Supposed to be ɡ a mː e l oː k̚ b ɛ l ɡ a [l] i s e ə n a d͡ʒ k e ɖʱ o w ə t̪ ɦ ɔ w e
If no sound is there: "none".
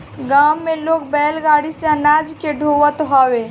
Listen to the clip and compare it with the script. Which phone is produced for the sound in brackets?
ɽ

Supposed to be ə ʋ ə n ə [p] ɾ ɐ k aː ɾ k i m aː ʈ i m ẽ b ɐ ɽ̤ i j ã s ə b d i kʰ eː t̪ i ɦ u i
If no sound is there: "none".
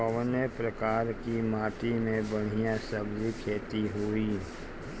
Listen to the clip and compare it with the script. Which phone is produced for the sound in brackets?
p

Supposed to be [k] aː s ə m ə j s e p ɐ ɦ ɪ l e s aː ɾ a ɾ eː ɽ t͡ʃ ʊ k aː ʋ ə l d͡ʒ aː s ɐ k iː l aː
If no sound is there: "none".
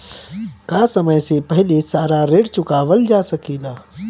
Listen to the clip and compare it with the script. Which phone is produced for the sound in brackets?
k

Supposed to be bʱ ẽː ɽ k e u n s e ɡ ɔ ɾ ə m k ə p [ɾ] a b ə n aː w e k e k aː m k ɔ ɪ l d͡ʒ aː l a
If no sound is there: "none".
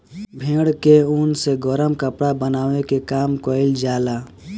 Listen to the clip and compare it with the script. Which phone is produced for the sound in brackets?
ɽ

